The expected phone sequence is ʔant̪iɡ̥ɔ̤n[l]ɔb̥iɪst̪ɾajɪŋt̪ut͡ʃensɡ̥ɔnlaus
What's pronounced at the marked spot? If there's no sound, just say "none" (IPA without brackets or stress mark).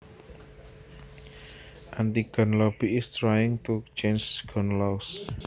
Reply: l